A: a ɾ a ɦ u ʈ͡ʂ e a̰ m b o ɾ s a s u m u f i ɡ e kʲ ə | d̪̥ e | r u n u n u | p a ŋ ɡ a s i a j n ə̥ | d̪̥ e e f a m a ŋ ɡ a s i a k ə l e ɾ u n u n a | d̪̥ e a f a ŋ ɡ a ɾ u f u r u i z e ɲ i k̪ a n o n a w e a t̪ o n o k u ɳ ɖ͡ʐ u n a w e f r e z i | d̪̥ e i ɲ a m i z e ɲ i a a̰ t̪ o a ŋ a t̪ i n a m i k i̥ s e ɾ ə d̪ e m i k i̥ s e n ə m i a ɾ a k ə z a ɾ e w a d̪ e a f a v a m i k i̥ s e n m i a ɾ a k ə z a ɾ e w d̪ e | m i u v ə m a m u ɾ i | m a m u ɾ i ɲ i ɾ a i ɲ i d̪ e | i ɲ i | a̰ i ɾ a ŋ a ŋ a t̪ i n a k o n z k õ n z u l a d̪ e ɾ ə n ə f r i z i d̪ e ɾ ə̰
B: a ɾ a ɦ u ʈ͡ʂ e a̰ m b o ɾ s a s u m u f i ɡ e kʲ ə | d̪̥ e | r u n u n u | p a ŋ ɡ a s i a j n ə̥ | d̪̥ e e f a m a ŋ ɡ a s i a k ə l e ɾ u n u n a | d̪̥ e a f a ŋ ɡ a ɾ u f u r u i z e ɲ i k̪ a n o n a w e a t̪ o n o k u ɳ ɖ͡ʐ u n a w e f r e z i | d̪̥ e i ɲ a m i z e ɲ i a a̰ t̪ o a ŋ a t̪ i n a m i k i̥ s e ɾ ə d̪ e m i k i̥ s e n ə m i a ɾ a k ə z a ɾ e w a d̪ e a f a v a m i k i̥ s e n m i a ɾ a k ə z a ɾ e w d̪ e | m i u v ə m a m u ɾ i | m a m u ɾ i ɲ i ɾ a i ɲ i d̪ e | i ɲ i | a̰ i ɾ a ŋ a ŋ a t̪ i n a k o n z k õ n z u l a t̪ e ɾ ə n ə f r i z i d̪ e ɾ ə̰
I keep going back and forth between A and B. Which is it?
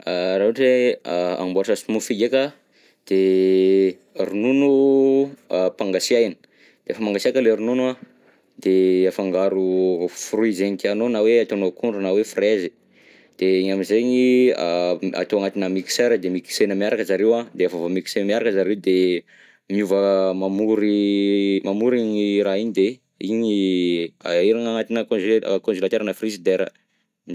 B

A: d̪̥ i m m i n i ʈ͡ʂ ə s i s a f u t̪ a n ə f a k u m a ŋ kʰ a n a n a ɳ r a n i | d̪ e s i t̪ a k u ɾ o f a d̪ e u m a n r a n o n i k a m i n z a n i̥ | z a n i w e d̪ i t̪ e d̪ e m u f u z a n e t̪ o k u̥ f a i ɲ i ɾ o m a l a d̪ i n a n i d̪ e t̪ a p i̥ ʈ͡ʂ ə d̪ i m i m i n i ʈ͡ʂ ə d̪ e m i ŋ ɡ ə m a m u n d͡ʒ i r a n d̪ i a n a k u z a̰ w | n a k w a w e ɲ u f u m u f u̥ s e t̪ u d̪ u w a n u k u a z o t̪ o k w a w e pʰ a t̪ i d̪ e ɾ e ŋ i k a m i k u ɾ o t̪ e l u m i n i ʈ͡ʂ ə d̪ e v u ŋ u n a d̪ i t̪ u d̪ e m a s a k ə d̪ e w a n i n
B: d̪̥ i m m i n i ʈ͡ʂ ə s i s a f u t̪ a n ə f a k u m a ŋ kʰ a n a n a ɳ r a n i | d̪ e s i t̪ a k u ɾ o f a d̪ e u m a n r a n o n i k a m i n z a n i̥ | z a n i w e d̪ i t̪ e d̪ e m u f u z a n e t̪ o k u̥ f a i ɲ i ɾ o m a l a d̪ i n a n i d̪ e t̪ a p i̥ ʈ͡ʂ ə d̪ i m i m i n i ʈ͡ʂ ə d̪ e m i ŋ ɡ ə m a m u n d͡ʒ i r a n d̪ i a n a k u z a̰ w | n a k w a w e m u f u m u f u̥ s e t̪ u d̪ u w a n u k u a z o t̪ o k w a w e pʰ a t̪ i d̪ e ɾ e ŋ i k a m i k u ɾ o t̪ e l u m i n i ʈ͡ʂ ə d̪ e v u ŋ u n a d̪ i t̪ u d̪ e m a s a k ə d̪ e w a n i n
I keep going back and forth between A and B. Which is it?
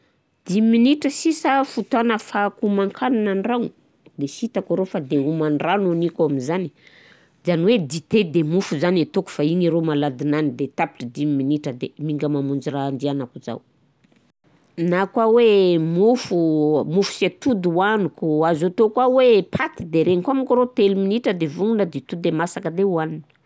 B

